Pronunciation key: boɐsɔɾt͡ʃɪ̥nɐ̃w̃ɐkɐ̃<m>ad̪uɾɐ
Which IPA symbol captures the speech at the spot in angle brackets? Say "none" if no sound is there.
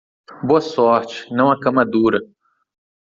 m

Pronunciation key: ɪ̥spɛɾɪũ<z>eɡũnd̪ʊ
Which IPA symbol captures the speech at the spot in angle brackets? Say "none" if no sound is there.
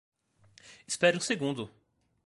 s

